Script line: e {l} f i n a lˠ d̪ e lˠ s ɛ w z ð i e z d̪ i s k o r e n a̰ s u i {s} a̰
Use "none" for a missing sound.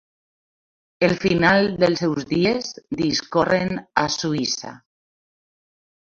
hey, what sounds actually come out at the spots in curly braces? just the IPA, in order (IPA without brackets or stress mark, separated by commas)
l, s